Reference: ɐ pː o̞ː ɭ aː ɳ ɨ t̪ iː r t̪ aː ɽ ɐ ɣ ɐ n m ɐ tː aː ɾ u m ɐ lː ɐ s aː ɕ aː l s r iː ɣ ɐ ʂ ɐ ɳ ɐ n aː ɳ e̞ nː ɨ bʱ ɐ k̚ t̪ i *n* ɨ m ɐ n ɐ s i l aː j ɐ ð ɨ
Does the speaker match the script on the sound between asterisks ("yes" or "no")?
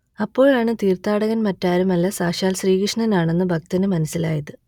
yes